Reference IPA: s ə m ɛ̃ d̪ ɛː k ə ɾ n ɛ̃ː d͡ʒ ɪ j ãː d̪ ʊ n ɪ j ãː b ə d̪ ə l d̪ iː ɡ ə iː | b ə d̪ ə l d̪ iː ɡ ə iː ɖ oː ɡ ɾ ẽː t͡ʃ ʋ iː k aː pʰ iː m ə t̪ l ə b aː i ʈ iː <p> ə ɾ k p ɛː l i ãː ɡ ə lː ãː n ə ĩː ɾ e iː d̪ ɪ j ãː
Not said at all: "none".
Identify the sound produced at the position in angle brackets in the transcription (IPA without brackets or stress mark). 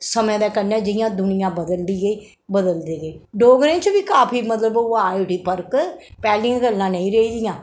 p